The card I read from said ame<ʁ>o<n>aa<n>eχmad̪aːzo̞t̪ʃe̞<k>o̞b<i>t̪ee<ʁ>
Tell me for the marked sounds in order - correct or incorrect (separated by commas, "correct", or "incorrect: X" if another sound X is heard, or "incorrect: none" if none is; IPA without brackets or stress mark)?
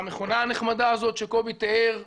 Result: incorrect: χ, correct, correct, correct, correct, correct